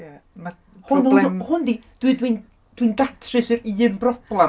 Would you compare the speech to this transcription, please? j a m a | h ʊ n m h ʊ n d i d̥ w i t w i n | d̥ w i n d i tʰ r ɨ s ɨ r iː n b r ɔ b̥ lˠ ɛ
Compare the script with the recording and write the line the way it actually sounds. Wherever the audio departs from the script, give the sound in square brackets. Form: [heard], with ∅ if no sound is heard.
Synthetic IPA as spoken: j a m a | h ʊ n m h ʊ n d i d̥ w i [d] w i n | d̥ w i n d [a] tʰ r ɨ s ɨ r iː n b r ɔ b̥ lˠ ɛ